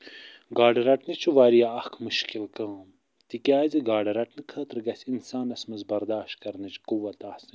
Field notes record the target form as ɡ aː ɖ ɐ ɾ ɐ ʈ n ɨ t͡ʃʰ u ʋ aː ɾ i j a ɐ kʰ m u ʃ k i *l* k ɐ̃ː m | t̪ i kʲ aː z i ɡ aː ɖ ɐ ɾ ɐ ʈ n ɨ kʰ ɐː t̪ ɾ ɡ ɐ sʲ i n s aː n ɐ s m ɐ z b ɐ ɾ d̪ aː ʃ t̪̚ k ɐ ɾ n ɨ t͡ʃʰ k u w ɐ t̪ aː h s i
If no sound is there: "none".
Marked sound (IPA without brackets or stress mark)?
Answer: l